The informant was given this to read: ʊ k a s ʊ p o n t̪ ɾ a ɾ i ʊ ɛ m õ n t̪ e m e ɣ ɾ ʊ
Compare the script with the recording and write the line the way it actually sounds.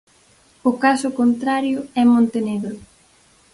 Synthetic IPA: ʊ k a s ʊ k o n t̪ ɾ a ɾ j ʊ ɛ m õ n t̪ e n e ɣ ɾ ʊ